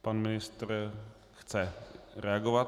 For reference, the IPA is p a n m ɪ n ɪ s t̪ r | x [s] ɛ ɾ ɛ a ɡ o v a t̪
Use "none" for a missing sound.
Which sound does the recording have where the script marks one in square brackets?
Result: t͡s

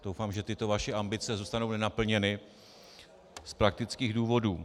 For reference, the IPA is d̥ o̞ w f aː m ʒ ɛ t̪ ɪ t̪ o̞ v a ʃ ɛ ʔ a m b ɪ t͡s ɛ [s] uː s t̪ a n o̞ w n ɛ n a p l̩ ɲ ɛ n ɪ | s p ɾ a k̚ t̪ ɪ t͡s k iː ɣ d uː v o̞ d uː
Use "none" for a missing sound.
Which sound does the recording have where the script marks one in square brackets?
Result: z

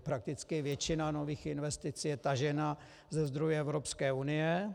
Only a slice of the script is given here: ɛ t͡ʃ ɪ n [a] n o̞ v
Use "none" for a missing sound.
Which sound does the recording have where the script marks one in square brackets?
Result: a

